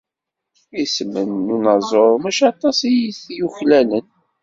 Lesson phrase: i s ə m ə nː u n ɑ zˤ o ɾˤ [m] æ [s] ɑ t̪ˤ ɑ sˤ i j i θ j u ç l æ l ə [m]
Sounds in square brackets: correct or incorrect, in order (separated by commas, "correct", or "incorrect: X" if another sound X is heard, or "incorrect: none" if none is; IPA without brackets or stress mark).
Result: correct, incorrect: ʃ, incorrect: n